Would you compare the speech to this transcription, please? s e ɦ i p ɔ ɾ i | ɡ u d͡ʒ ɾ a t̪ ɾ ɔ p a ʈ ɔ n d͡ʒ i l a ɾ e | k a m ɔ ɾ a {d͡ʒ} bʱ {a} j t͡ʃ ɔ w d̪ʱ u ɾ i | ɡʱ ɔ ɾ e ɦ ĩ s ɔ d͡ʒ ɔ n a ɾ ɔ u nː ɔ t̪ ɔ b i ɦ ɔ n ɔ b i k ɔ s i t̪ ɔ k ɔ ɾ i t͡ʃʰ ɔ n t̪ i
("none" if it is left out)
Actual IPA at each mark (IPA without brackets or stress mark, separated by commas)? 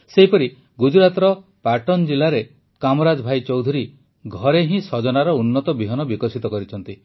d͡ʒ, a